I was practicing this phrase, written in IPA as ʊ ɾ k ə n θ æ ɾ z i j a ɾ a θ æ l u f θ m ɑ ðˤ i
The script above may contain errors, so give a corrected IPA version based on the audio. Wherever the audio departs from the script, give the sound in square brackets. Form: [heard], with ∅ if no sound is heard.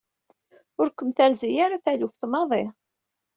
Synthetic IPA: ʊ ɾ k ə [m] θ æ ɾ z i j a ɾ a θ æ l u f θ m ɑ ðˤ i

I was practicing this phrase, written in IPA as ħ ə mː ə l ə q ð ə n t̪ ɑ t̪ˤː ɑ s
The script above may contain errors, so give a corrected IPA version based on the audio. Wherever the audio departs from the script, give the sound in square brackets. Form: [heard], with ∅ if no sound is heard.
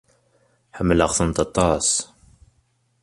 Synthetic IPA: ħ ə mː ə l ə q [θ] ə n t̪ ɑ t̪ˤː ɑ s

